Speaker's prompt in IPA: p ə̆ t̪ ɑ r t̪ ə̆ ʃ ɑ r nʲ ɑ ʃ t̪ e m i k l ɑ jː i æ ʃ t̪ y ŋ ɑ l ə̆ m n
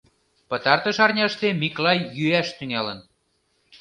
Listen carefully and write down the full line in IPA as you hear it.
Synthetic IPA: p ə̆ t̪ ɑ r t̪ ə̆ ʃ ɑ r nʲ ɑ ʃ t̪ e m i k l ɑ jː y æ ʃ t̪ y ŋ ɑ l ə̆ n

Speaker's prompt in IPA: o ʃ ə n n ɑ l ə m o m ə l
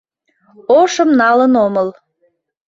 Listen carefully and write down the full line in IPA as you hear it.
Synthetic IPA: o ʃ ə m n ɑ l ə n o m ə l

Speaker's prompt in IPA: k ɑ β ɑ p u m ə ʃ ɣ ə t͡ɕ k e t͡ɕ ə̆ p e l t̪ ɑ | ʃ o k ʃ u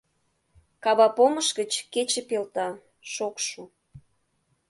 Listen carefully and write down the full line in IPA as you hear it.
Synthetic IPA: k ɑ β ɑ p o m ə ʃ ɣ ə t͡ɕ k e t͡ɕ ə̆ p e l t̪ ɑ | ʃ o k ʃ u

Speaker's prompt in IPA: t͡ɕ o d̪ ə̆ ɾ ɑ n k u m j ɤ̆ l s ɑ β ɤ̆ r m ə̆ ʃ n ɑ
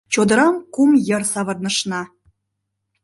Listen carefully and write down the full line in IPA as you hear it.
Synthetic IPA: t͡ɕ o d̪ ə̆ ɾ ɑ m k u m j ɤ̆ r s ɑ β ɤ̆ r n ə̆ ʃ n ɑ

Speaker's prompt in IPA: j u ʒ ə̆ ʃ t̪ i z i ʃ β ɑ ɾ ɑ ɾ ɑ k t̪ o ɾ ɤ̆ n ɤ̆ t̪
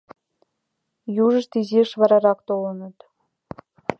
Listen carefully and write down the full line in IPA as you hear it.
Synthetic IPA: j u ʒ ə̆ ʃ t̪ i z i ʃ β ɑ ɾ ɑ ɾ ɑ k t̪ o l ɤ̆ n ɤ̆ t̪

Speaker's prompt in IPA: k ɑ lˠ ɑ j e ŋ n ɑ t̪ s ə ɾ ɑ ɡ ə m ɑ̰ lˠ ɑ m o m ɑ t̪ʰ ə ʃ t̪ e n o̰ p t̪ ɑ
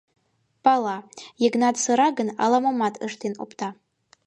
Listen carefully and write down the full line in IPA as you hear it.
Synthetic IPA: p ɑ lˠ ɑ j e ɡ n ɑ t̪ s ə ɾ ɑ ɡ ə n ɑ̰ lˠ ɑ m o m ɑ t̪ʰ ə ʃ t̪ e n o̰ p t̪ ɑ

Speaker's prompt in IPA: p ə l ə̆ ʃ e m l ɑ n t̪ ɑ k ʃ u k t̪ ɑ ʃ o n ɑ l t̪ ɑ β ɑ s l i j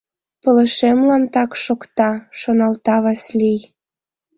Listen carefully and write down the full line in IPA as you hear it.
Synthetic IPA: p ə l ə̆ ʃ e m l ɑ n t̪ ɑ k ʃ o k t̪ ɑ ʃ o n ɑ l t̪ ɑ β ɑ s l i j

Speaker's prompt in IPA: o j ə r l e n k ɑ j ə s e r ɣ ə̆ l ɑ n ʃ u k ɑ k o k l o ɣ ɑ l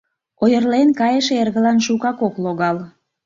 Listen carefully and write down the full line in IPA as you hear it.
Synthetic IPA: o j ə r l e n k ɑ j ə ʃ e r ɣ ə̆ l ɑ n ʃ u k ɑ k o k l o ɣ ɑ l

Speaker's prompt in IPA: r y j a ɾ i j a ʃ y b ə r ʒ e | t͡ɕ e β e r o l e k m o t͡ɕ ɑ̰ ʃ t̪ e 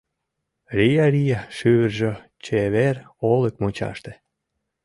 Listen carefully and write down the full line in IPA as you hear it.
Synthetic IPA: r i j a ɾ i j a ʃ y β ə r ʒ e | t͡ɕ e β e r o l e k m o t͡ɕ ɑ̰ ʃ t̪ e

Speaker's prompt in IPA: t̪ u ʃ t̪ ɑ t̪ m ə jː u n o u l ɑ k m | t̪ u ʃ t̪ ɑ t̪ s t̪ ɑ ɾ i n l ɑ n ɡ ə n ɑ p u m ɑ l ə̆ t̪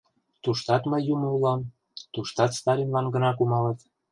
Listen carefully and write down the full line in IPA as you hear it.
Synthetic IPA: t̪ u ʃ t̪ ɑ t̪ m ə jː u m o u l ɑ m | t̪ u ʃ t̪ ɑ t̪ s t̪ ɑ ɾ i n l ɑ n ɡ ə n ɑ k u m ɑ l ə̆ t̪

